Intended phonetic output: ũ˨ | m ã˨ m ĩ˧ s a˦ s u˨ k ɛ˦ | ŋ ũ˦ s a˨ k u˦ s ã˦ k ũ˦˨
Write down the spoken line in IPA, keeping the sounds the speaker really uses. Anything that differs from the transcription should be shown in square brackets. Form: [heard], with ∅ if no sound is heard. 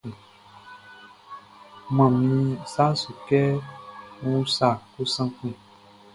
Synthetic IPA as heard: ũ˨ | m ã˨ m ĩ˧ s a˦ s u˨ k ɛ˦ | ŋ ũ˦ s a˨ k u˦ s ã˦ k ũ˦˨